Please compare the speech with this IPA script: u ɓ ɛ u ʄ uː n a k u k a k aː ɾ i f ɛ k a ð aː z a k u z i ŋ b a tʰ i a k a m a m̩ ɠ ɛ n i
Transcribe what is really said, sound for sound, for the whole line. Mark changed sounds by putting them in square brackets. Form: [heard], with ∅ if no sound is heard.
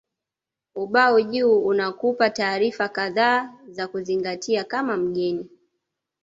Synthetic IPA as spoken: u ɓ [a] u ʄ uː n a k u [p] a [t] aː ɾ i f [a] k a ð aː z a k u z i ŋ [ɡ] a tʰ i a k a m a m̩ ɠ ɛ n i